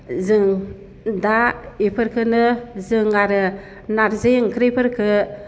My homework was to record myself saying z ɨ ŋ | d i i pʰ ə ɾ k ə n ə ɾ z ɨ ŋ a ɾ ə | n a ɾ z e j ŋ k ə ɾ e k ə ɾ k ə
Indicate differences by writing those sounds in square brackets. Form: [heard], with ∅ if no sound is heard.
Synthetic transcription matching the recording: z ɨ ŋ | d [a] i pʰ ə ɾ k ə n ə [∅] z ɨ ŋ a ɾ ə | n a ɾ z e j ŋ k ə ɾ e [p] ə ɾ k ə